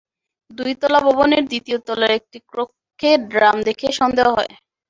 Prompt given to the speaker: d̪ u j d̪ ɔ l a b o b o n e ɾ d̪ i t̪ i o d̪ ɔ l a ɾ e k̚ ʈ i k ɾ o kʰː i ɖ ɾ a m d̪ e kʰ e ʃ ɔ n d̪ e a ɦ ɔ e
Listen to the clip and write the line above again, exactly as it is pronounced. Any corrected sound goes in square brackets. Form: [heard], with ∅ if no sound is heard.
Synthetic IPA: d̪ u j [t̪] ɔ l a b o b o n e ɾ d̪ i t̪ i o [t̪] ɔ l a ɾ e k̚ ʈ i k ɾ o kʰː [e] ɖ ɾ a m d̪ e kʰ e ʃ ɔ n d̪ e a ɦ ɔ e